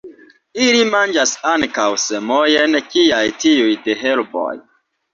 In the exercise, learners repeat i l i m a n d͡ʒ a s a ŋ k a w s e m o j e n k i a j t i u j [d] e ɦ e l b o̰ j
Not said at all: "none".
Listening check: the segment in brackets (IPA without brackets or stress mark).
d